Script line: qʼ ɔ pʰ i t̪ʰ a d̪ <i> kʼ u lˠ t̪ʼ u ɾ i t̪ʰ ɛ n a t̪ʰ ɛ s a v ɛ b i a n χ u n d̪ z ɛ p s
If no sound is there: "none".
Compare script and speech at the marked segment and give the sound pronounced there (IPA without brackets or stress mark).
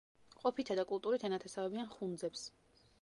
a